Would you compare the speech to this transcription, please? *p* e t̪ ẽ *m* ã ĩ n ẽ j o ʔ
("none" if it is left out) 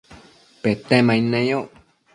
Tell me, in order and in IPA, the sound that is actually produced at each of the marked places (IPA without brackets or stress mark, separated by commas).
p, m